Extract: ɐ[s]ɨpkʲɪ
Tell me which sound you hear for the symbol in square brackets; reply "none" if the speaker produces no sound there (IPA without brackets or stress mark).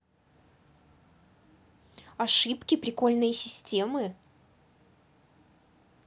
ʂ